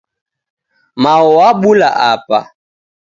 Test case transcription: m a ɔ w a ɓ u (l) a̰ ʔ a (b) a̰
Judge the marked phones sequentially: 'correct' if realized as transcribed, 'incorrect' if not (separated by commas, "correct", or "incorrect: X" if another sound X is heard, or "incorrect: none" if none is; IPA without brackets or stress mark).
correct, incorrect: p